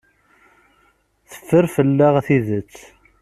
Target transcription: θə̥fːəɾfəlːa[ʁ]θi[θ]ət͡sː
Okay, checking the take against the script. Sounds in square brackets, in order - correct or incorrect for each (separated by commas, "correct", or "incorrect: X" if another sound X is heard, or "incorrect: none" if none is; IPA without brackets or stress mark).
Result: correct, incorrect: ð